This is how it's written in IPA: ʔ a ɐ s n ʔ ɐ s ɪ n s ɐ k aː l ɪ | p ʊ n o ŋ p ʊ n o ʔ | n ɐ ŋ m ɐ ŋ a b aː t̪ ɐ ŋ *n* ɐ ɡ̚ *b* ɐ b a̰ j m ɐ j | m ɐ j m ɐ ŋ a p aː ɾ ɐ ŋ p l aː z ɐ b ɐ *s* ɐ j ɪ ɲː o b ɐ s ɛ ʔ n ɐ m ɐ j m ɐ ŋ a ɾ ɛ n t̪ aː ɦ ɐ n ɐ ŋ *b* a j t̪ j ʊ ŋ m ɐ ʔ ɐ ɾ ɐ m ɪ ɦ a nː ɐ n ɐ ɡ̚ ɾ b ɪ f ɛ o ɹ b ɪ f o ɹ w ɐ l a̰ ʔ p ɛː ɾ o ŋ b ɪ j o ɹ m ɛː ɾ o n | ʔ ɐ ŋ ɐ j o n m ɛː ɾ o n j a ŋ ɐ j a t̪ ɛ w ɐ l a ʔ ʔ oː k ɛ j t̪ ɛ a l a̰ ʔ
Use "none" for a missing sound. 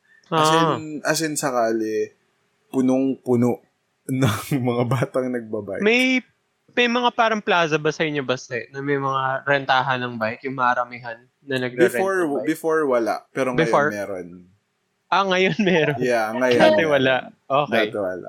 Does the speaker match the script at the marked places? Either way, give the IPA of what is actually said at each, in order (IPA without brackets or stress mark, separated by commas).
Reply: n, b, s, b